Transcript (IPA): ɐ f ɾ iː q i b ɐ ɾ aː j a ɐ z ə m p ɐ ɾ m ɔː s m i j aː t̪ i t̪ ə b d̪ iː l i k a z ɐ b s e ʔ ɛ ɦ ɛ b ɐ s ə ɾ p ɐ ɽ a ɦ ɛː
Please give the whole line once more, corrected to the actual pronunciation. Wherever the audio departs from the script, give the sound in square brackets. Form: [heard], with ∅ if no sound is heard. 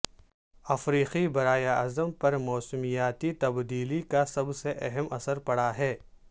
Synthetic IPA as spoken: ɐ f ɾ iː q i b ɐ ɾ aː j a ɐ z ə m p ɐ ɾ m ɔː s m i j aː t̪ i t̪ [ɐ] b d̪ iː l i k a [s] ɐ b s e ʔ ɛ ɦ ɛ [m] ɐ s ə ɾ p ɐ ɽ a ɦ ɛː